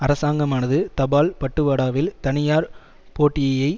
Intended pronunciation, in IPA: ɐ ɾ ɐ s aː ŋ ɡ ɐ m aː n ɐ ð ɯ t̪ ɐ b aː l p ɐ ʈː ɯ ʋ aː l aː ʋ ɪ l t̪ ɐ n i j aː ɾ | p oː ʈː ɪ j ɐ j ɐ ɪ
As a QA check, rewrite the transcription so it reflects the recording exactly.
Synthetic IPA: ɐ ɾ ɐ s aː ŋ ɡ ɐ m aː n ɐ ð ɯ t̪ ɐ b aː l p ɐ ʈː ɯ ʋ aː ɽ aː ʋ ɪ l t̪ ɐ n ɪ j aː ɾ | p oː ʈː ɪ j ɐ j ɐ ɪ